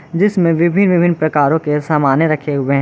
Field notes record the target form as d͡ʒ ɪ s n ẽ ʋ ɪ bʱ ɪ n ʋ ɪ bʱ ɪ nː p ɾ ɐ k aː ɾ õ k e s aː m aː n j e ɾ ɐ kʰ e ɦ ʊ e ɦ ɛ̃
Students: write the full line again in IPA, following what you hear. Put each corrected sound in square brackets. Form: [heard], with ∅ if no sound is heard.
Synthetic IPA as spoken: d͡ʒ ɪ s [m] ẽ ʋ ɪ bʱ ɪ n ʋ ɪ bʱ ɪ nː p ɾ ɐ k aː ɾ õ k e s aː m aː n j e ɾ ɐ kʰ e ɦ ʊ e ɦ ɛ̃